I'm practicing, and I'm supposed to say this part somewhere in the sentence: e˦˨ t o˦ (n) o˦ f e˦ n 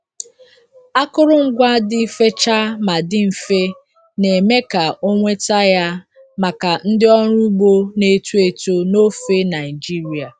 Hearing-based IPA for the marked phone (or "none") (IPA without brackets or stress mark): n